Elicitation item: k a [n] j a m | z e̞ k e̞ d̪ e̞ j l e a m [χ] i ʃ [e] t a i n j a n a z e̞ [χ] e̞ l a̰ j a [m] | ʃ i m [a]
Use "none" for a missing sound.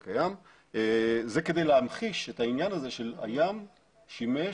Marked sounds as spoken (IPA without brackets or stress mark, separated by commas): none, χ, e, ʃ, m, e